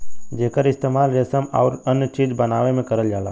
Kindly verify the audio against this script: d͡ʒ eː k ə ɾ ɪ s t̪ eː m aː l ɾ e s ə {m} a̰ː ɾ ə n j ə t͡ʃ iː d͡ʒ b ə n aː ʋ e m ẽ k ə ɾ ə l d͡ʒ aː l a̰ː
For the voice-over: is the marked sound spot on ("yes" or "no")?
yes